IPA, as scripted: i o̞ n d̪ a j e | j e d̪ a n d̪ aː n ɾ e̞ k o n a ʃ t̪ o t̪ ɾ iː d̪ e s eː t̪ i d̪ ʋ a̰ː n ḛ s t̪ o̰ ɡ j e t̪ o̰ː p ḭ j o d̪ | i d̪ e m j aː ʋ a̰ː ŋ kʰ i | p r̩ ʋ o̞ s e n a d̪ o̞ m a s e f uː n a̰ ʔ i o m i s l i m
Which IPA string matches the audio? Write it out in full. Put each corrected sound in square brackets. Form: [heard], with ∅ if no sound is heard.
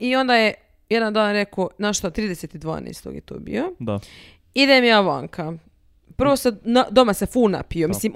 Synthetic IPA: i o̞ n d̪ a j e | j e d̪ a n d̪ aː n ɾ e̞ k o n a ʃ t̪ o t̪ ɾ iː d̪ e s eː t̪ i d̪ ʋ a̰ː n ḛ s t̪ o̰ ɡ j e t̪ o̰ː [b] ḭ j o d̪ | i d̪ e m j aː ʋ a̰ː ŋ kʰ [a] | p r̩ ʋ o̞ s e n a d̪ o̞ m a s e f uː n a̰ [p] i o m i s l i m